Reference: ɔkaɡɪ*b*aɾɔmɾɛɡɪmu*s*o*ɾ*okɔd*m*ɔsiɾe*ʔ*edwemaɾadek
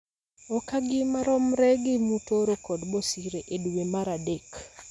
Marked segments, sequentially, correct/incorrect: incorrect: m, incorrect: t, correct, incorrect: b, correct

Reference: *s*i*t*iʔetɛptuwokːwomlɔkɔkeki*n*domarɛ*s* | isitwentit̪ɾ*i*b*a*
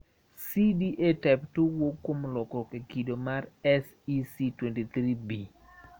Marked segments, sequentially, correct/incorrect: correct, incorrect: d, incorrect: none, correct, correct, incorrect: i

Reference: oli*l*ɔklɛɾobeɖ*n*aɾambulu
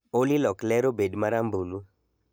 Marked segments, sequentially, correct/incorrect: correct, incorrect: m

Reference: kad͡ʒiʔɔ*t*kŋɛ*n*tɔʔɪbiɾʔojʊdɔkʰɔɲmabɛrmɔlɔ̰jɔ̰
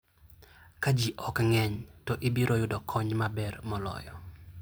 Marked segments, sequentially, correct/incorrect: incorrect: none, incorrect: ɲ

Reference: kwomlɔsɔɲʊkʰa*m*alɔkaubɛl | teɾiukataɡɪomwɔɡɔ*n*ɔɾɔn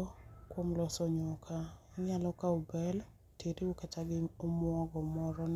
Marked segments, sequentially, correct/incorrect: incorrect: ɲ, incorrect: m

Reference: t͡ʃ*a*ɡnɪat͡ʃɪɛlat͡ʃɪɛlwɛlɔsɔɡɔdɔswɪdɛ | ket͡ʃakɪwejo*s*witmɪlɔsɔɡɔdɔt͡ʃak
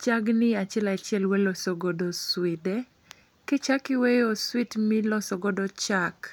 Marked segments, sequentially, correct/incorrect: correct, correct

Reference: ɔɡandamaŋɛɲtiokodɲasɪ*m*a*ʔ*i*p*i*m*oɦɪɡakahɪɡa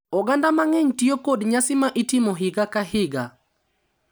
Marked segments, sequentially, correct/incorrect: correct, correct, incorrect: t, correct

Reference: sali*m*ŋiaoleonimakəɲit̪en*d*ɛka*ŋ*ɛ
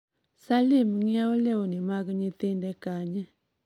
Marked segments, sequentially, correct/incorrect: correct, correct, incorrect: ɲ

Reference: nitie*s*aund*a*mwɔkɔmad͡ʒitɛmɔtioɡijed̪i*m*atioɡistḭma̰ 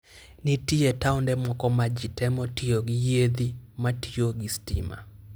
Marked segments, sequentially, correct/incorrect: incorrect: t, incorrect: ɛ, correct

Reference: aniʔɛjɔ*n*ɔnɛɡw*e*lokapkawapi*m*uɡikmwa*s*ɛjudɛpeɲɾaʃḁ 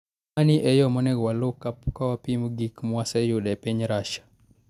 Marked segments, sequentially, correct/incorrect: incorrect: m, incorrect: a, correct, correct

